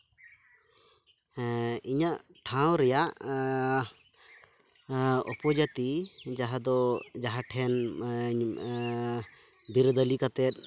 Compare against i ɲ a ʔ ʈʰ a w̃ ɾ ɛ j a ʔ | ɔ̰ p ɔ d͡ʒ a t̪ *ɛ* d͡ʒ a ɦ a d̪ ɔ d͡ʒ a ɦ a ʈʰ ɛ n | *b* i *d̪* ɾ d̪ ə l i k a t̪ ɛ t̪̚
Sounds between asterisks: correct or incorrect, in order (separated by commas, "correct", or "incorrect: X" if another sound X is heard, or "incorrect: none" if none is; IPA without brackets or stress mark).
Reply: incorrect: i, correct, incorrect: none